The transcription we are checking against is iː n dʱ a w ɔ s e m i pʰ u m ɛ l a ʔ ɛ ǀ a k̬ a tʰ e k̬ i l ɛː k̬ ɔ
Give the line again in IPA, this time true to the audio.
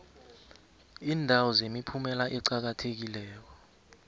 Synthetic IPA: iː n dʱ a w ɔ z e m i pʰ u m ɛ l a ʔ ɛ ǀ a k̬ a tʰ e k̬ i l ɛː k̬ ɔ